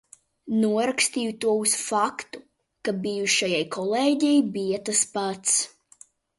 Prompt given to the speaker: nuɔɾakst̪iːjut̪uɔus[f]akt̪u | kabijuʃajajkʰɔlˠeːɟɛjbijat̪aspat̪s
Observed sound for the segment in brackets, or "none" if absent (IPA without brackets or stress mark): f